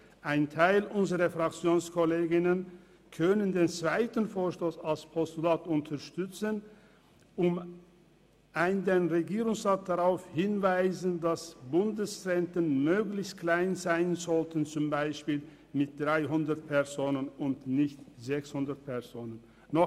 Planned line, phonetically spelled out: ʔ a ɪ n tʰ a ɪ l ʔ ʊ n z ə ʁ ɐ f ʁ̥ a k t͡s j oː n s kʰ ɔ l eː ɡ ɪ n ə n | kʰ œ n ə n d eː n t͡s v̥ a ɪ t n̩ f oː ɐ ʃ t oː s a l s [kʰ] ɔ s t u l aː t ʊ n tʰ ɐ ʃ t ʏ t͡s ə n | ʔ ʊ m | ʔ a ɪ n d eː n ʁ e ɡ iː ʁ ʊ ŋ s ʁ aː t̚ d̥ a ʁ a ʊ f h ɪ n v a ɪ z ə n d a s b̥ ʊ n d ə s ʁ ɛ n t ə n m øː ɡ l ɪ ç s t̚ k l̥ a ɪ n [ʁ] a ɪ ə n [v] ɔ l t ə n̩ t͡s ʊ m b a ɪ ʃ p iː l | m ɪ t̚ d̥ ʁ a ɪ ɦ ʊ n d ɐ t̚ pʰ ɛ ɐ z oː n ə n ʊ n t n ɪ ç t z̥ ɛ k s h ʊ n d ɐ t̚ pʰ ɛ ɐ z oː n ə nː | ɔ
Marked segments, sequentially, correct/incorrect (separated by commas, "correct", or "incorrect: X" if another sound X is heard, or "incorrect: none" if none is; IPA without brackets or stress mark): incorrect: pʰ, incorrect: z, incorrect: z